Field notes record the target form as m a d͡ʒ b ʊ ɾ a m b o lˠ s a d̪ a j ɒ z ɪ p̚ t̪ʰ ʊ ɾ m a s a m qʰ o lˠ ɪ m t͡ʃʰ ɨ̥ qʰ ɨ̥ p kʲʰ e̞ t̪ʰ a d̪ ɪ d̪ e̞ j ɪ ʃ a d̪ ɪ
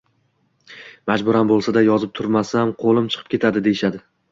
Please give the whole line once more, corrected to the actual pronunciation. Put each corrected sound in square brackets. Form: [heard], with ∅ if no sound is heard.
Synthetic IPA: m a d͡ʒ b ʊ ɾ a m b o lˠ s a d̪ a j ɒ z ɪ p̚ t̪ʰ ʊ ɾ m a s a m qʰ o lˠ ɪ m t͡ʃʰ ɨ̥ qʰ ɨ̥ p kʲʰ e̞ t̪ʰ a d̪ ɪ d̪ e̞ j ɪ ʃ a d̪ ɪ